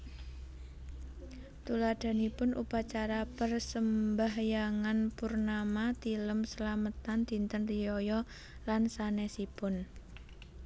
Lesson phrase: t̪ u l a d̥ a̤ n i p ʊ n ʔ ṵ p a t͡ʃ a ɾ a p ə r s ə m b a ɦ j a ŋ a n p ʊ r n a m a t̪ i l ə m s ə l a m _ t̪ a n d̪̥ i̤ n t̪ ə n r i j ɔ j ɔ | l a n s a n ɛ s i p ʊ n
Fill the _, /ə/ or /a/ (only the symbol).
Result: ə